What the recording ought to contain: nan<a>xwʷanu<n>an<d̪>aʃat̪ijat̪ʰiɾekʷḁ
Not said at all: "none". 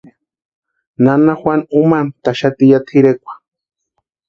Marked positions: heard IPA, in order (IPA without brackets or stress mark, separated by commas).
a, m, t̪